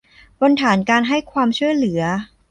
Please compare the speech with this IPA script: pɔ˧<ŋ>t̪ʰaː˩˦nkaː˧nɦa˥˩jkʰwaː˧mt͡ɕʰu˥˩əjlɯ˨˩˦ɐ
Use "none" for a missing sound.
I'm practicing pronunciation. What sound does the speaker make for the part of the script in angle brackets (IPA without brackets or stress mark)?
n